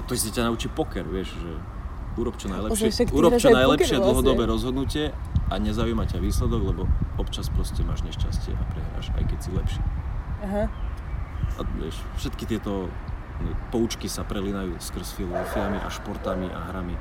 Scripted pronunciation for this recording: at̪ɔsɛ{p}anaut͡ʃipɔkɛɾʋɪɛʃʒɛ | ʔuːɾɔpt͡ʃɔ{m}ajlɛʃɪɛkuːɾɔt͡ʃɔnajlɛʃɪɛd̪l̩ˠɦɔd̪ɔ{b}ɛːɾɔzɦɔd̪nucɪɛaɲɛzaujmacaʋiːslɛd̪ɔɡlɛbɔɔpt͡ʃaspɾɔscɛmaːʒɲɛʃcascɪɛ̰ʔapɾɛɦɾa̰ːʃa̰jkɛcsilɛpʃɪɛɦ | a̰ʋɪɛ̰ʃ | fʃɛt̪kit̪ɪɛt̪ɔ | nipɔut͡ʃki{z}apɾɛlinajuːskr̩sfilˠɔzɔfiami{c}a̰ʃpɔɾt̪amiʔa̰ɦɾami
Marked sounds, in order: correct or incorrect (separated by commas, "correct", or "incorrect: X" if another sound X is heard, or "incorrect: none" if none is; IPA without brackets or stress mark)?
incorrect: c, incorrect: n, correct, incorrect: s, incorrect: ʔ